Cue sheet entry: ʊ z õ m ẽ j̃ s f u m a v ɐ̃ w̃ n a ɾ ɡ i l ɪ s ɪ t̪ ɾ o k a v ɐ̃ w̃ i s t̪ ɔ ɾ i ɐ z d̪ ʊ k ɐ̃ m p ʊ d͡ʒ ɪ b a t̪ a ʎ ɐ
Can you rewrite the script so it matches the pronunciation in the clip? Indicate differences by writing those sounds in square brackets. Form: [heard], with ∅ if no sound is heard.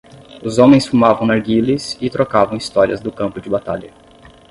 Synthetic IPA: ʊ z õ m ẽ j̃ s f u m a v ɐ̃ w̃ n a ɾ ɡ i l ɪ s ɪ t̪ ɾ o k a v ɐ̃ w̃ i s t̪ ɔ ɾ i ɐ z d̪ ʊ k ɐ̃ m p ʊ d͡ʒ ɪ b a t̪ a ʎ ɐ